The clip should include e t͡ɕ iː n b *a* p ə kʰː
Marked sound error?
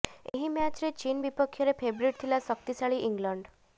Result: yes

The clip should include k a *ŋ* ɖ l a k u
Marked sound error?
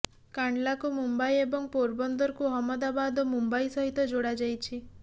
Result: yes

